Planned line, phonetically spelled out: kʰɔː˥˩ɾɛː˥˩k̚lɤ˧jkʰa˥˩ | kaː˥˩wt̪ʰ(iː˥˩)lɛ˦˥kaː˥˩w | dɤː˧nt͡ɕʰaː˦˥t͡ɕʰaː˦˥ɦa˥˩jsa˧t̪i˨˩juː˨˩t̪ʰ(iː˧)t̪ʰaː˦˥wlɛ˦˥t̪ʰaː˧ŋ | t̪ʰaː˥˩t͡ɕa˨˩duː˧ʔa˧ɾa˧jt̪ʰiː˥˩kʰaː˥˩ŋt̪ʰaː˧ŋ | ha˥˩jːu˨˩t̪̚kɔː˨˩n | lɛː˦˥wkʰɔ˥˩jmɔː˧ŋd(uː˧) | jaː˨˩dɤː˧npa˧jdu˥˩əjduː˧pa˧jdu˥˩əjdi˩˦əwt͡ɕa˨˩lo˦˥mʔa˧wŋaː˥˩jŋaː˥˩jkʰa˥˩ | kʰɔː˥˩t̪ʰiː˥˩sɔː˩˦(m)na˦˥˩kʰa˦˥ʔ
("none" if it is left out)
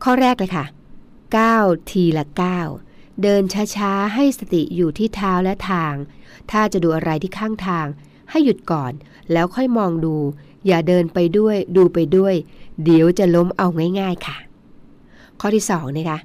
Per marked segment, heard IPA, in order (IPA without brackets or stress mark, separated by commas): iː˧, iː˥˩, uː˧, ŋ